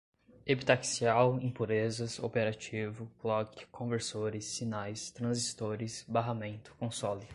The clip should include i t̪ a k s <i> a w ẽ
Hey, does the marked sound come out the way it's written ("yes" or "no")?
yes